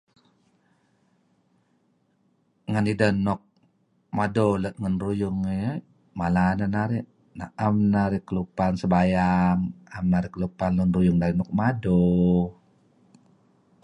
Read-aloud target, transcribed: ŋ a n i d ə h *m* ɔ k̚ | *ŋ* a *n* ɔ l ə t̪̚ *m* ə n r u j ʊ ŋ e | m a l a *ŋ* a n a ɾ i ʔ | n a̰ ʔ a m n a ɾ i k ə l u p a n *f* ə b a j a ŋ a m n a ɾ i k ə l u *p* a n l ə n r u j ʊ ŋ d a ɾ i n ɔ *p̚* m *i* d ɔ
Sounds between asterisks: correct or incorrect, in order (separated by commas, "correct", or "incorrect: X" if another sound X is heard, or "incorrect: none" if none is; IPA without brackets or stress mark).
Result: incorrect: n, incorrect: m, incorrect: d, incorrect: ŋ, incorrect: n, incorrect: s, correct, incorrect: k̚, incorrect: a